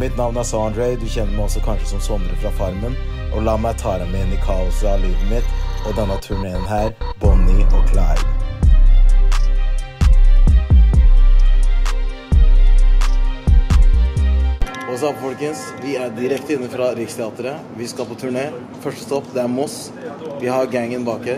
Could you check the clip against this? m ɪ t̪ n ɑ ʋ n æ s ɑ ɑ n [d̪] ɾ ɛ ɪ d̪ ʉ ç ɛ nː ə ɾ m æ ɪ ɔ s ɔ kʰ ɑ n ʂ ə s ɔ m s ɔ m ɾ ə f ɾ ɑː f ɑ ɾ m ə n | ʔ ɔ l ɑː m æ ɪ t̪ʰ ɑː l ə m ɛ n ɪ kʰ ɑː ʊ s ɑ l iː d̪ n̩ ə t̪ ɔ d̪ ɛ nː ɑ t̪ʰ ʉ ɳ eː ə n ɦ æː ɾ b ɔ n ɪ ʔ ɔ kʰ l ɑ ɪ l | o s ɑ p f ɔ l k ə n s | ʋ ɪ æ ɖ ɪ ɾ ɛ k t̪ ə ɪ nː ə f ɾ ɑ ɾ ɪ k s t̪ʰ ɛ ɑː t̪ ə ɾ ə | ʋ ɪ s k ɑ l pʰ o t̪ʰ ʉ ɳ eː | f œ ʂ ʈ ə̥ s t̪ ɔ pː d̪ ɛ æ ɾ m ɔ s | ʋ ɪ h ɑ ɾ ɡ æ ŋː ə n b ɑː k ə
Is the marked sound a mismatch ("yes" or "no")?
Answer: no